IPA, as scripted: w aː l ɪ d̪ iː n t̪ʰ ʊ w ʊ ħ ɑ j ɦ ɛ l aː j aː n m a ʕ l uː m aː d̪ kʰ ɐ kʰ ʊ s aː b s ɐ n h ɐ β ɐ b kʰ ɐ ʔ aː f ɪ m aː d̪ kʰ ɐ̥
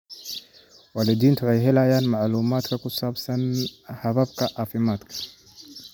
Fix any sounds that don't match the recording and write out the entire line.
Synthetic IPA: w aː l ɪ d̪ iː n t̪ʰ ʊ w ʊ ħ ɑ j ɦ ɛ l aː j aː n m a ʕ l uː m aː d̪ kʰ ɐ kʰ ʊ s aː b s ɐ n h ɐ β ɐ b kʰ ɐ ʔ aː f ɪ m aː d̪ kʰ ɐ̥